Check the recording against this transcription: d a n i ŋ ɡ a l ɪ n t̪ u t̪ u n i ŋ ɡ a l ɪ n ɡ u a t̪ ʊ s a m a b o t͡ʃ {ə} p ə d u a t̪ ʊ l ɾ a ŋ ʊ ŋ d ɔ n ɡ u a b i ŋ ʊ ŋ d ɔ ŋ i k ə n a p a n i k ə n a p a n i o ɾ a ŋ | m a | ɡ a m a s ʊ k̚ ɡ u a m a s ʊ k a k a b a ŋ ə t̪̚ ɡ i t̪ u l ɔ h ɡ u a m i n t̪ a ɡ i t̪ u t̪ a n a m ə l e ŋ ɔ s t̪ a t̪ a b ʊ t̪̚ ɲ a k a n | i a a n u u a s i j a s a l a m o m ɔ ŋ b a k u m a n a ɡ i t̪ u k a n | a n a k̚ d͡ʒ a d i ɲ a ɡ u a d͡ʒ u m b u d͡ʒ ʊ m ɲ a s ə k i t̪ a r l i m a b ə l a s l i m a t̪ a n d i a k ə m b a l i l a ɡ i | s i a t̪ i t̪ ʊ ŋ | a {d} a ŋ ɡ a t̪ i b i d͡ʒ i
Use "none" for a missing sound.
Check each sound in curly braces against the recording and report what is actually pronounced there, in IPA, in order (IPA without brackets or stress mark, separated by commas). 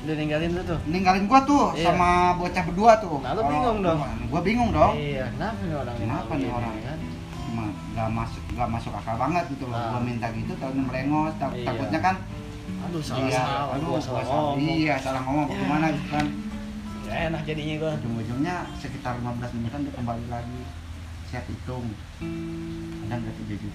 a, d